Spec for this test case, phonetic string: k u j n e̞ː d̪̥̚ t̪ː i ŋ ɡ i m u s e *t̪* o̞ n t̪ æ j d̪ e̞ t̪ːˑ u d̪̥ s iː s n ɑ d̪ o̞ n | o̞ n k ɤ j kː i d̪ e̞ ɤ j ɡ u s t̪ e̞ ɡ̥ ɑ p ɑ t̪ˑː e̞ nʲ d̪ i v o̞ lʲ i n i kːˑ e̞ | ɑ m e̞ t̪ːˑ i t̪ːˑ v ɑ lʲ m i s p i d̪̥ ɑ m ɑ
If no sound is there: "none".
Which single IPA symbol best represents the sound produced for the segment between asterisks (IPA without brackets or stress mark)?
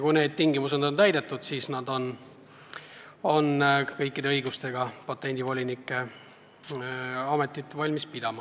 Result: d̪